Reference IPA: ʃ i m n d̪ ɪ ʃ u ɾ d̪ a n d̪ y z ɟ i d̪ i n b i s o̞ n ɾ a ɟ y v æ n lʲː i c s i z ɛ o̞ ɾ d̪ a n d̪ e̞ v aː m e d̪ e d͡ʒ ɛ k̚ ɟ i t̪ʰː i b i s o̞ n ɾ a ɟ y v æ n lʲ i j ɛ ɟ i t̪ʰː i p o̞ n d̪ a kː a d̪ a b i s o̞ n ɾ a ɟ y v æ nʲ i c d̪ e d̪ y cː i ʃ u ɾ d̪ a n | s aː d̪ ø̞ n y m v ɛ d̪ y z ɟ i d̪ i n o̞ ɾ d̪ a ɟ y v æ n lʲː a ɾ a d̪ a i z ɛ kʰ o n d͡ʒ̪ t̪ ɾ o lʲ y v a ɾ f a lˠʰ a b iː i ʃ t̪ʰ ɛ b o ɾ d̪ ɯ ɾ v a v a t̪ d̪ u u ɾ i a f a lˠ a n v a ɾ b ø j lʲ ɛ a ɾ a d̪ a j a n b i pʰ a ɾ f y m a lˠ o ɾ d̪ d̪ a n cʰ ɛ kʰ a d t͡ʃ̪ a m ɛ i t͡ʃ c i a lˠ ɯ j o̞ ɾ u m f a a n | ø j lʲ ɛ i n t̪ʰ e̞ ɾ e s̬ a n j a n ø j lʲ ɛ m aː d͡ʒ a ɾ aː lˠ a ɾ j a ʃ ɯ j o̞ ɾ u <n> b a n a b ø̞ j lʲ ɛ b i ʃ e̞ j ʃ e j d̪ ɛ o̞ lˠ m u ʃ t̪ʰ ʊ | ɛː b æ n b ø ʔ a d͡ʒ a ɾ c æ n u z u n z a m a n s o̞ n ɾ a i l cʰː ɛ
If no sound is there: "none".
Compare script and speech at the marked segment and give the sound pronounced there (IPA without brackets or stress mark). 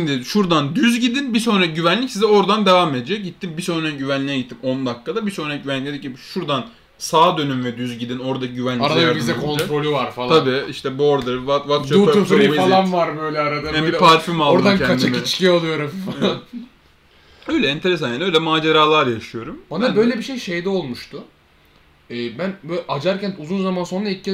m